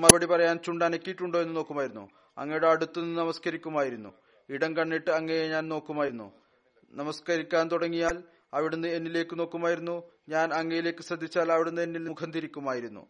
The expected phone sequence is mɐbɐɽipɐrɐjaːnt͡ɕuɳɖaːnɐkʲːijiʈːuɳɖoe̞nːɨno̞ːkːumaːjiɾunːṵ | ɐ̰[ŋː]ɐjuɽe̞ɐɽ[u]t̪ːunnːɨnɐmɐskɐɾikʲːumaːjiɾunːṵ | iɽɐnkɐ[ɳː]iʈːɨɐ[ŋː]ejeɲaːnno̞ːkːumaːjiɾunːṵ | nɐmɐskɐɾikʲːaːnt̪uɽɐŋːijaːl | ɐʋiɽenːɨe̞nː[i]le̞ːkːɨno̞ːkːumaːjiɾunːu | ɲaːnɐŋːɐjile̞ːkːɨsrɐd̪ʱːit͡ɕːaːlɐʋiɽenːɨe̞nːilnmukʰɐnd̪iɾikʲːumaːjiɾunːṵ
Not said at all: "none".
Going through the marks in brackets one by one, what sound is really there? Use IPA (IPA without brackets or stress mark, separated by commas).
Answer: ŋː, u, ɳː, ŋː, i